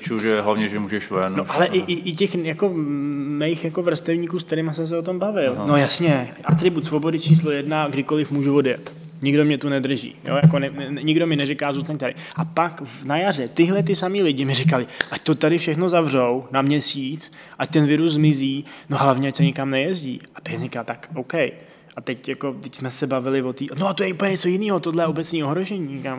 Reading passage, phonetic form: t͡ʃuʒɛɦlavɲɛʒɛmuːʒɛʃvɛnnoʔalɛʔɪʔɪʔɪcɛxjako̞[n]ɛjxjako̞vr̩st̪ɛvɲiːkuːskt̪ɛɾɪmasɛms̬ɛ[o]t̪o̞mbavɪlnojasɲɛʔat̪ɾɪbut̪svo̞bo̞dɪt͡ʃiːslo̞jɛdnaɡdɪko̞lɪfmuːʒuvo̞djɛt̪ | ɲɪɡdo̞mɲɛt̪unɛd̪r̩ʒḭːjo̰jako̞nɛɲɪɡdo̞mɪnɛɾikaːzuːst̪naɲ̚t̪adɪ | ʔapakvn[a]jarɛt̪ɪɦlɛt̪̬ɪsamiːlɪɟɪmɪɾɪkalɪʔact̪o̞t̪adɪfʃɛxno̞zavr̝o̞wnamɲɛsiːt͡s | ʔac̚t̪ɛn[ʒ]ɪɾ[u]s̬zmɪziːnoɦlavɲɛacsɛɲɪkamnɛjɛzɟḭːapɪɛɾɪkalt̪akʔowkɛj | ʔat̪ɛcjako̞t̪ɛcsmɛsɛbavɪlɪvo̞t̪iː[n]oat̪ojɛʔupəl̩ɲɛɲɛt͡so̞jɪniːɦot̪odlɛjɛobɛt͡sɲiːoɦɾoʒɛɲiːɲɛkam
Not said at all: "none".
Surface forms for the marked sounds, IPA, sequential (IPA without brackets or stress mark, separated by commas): m, o, a, v, u, n